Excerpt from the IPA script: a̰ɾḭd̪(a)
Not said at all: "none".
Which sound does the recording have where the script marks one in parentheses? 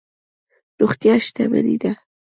a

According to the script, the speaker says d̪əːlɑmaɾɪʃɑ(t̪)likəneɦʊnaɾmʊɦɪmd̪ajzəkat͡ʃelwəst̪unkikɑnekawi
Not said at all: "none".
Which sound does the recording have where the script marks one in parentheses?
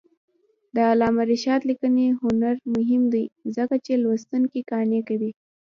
t̪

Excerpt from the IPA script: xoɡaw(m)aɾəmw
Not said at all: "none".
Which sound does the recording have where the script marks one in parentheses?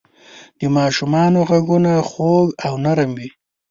n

